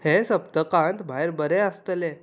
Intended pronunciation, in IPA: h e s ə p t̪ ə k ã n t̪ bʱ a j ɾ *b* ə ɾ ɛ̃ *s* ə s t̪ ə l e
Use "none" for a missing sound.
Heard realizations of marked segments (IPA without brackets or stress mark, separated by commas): b, none